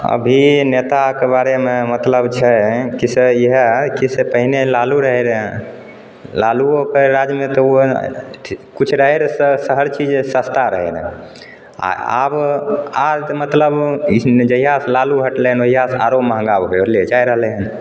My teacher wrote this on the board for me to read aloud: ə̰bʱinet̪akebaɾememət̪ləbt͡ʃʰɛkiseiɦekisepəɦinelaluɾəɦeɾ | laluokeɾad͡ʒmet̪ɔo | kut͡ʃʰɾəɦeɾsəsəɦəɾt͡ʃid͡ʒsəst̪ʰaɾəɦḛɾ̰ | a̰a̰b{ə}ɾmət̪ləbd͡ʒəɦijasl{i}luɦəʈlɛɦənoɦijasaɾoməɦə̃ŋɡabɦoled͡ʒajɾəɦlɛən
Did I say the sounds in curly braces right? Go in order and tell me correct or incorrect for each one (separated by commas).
incorrect, incorrect